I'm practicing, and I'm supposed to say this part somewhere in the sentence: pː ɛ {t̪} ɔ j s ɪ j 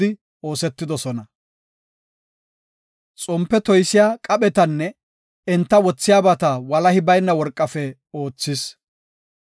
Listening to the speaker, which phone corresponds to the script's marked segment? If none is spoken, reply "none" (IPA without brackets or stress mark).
t̪